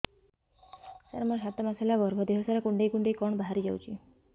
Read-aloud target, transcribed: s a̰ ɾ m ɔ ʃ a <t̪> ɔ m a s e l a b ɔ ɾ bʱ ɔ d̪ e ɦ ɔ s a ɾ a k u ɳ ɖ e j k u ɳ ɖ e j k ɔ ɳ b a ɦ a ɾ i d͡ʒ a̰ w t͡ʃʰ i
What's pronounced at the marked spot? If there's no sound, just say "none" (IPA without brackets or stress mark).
t̪